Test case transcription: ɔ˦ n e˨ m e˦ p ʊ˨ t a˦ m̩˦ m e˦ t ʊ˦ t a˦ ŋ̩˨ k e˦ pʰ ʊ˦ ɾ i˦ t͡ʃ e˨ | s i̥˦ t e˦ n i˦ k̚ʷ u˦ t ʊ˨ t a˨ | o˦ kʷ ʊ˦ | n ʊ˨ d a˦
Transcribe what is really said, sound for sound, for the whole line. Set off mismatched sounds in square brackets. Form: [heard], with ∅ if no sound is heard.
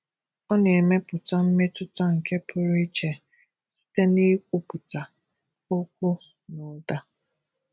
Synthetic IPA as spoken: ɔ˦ n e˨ m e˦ p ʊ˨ t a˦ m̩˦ m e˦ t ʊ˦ t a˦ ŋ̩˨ k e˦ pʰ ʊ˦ ɾ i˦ t͡ʃ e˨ | s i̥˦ t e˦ n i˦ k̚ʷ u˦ [p] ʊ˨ t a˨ | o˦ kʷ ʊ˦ | n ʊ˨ d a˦